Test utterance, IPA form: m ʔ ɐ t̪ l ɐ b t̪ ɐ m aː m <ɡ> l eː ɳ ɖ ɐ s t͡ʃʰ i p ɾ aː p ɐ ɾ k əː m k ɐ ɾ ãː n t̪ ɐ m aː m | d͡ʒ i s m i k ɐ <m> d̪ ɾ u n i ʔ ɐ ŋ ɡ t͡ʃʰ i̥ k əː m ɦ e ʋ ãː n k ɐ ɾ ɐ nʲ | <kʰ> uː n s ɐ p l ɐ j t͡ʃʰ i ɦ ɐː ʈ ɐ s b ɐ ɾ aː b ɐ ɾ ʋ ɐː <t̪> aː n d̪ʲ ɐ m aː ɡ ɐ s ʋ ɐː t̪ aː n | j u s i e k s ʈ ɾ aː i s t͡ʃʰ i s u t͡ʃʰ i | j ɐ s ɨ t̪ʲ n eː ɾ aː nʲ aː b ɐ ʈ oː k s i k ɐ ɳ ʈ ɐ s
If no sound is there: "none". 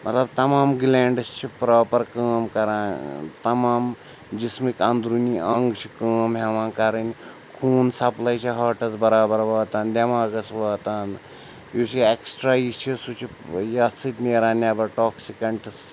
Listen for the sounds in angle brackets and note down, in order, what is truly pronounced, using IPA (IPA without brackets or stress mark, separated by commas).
ɡ, n, kʰ, t̪